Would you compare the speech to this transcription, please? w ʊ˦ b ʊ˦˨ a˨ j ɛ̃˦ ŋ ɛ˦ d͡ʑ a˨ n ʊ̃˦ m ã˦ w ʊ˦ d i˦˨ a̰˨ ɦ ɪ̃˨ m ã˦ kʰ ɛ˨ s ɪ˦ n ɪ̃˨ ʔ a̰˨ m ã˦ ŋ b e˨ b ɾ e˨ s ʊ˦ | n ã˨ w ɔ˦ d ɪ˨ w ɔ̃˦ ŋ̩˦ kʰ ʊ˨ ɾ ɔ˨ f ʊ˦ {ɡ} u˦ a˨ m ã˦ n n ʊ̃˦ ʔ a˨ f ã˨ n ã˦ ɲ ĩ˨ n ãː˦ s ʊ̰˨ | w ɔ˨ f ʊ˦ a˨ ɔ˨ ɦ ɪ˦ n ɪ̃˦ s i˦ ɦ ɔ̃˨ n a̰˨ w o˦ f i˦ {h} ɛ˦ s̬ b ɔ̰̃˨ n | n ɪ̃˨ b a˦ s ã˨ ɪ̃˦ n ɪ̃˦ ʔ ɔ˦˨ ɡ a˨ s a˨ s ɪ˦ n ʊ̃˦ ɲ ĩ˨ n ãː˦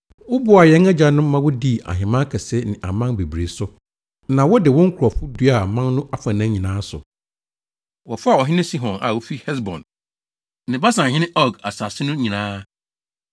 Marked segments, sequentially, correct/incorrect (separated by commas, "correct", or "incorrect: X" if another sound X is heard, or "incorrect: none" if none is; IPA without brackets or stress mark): incorrect: d, correct